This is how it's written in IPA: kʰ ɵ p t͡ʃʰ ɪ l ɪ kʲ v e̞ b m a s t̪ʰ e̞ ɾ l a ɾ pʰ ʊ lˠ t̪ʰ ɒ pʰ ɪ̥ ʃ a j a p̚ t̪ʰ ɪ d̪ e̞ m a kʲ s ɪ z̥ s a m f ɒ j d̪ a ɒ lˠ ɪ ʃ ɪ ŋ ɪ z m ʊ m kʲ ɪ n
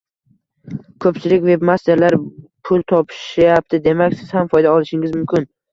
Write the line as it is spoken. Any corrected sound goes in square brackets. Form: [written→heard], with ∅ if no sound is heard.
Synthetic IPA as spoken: kʰ ɵ p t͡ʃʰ ɪ l ɪ kʲ v e̞ b m a s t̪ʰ e̞ ɾ l a ɾ pʰ ʊ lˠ t̪ʰ ɒ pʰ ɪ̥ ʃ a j a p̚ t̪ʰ ɪ d̪ e̞ m a kʲ s ɪ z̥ [s→h] a m f ɒ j d̪ a ɒ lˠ ɪ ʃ ɪ ŋ ɪ z m ʊ m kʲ ɪ n